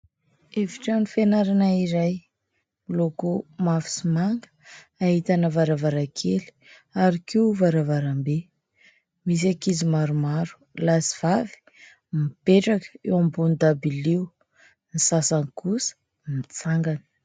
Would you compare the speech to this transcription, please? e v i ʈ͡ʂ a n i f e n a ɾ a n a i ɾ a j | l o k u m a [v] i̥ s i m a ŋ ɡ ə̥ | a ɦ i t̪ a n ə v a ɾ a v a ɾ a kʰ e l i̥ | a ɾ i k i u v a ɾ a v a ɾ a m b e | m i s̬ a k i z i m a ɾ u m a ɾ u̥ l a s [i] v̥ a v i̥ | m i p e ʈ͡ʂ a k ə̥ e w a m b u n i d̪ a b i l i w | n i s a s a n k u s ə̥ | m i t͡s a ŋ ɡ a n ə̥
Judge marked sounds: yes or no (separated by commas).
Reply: no, yes